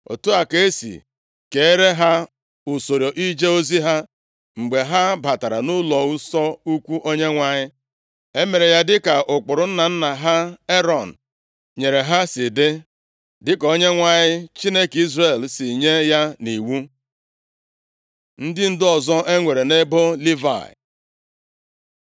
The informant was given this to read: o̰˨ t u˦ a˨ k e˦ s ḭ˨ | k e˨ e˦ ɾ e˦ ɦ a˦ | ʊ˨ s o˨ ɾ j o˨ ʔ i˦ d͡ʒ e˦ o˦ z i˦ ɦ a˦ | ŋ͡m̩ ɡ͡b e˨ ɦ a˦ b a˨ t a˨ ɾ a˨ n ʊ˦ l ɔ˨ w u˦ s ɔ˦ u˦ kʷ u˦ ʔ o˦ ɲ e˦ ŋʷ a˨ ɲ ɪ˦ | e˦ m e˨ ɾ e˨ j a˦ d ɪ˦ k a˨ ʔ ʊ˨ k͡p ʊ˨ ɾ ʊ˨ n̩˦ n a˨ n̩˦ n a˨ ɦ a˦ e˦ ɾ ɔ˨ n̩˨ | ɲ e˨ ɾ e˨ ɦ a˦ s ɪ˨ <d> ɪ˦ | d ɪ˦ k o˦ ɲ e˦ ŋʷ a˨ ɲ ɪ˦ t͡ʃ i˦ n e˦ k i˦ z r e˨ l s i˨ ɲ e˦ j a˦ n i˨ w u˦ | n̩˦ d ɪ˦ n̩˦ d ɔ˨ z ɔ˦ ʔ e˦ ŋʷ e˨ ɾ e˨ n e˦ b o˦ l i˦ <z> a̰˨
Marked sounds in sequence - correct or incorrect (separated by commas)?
correct, incorrect